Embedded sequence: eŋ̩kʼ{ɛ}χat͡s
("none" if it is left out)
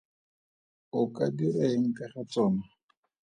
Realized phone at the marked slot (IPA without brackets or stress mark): a